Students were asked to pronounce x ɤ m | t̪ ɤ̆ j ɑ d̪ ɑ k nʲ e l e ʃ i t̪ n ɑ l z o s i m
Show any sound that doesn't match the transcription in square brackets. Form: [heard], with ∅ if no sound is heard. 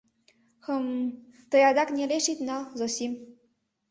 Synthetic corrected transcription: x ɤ m | t̪ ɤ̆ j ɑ d̪ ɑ k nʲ e l e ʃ i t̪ n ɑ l z o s i m